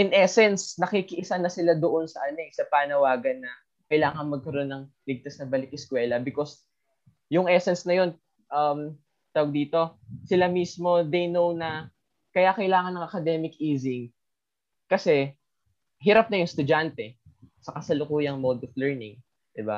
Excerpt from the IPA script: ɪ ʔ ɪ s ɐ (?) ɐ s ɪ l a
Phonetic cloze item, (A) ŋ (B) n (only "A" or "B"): B